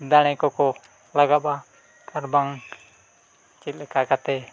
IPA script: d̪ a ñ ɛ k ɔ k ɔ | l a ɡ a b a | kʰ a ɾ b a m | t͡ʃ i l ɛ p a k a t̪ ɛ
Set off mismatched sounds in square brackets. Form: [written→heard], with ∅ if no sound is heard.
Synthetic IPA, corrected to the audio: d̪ a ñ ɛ k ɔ k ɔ | l a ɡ a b a | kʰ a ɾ b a [m→ŋ] | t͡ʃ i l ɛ [p→k] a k a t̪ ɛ